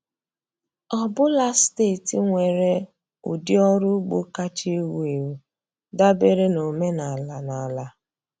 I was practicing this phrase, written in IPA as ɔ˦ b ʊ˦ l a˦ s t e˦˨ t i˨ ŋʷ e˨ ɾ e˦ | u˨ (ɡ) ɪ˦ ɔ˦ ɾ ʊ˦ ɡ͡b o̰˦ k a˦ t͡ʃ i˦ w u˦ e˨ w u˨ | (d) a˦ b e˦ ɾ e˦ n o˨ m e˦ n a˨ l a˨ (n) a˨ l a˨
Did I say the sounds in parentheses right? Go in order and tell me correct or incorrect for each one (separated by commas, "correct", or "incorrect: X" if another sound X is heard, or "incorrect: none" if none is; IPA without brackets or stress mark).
incorrect: d, correct, correct